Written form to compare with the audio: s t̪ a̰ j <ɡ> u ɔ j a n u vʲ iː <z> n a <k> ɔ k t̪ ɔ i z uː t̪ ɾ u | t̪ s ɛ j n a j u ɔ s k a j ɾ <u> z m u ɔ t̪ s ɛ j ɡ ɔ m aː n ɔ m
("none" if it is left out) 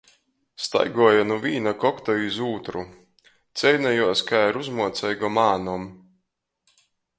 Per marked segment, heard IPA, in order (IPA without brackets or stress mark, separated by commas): ɡ, none, k, u